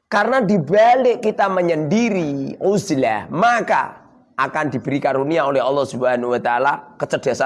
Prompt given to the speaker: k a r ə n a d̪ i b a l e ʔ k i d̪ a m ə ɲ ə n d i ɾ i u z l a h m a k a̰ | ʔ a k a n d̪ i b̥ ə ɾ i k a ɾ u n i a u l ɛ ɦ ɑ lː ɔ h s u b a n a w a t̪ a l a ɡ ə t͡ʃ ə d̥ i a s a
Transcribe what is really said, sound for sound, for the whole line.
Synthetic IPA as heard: k a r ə n a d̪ i b a l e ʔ k i t̪ a m ə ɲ ə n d i ɾ i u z l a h m a k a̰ | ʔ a k a n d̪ i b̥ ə ɾ i k a ɾ u n i a o l ɛ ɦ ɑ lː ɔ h s u b a n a w a t̪ a l a k ə t͡ʃ ə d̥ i a s a